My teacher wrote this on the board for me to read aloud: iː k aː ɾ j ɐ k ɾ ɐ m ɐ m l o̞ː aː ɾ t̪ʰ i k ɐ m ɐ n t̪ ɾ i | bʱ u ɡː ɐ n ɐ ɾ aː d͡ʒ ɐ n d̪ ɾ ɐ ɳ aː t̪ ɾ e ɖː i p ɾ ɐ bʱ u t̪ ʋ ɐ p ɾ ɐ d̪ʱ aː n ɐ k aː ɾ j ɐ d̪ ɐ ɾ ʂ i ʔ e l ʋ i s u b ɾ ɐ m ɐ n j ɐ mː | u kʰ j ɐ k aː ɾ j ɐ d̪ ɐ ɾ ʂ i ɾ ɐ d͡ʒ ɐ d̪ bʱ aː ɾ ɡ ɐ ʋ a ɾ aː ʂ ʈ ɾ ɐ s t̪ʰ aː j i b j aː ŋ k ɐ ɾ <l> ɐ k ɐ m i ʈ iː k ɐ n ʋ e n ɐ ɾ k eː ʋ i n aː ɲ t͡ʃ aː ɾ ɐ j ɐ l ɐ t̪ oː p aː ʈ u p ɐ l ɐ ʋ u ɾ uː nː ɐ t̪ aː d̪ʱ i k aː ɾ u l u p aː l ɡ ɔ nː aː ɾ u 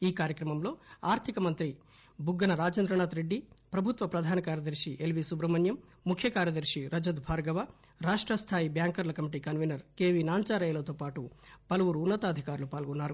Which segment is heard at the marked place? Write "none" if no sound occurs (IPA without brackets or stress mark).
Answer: l